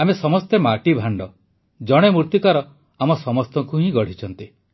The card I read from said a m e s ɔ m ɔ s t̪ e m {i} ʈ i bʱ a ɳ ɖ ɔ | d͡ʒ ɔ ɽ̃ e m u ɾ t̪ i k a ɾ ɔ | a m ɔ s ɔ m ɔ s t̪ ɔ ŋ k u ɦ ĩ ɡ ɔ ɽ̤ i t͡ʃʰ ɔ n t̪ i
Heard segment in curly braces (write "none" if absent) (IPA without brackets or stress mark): a